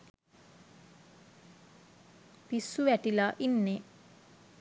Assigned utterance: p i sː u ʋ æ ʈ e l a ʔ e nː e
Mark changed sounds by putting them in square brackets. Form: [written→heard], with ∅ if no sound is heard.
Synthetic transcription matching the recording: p i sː u ʋ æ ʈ [e→i] l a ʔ [e→i] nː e